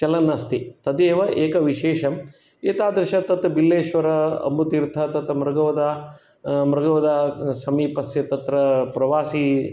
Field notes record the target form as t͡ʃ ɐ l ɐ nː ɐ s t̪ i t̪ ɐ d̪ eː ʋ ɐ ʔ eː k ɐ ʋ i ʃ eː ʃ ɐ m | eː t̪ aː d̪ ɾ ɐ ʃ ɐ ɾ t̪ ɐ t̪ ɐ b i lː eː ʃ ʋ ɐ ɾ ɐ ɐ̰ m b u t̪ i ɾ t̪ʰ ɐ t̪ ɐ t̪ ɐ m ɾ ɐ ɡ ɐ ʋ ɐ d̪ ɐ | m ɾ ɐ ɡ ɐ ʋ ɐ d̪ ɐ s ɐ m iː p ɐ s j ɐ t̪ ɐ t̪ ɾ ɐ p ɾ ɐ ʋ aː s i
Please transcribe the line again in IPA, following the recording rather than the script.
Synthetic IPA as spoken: t͡ʃ ɐ l ɐ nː ɐ s t̪ i t̪ ɐ d̪ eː ʋ ɐ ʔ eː k ɐ ʋ i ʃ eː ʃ ɐ m | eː t̪ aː d̪ ɾ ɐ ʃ ɐ t̪ ɐ t̪ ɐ b i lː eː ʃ ʋ ɐ ɾ ɐ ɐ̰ m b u t̪ i ɾ t̪ʰ ɐ t̪ ɐ t̪ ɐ m ɾ ɐ ɡ ɐ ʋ ɐ d̪ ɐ | m ɾ ɐ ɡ ɐ ʋ ɐ d̪ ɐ s ɐ m iː p ɐ s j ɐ t̪ ɐ t̪ ɾ ɐ p ɾ ɐ ʋ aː s i